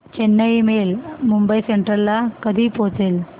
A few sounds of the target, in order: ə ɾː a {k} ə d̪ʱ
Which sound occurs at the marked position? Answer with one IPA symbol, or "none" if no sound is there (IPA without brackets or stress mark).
k